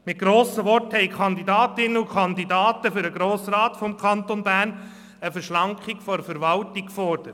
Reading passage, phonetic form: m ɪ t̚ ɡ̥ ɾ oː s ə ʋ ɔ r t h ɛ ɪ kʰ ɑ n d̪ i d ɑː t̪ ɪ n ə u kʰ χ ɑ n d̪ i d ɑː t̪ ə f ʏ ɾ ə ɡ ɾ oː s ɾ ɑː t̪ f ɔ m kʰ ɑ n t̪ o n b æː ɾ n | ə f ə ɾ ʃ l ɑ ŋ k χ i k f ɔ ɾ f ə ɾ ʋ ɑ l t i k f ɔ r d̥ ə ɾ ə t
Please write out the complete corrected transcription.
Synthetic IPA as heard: m ɪ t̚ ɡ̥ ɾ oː s ə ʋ ɔ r t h ɛ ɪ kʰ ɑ n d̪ i d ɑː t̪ ɪ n ə u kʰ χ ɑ n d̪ i d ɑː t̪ ə f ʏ ɾ ə ɡ ɾ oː s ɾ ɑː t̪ f ɔ m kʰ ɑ n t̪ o n b æː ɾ n | ə f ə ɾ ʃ l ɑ ŋ k χ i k f ɔ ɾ f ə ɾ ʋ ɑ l t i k f ɔ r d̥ ə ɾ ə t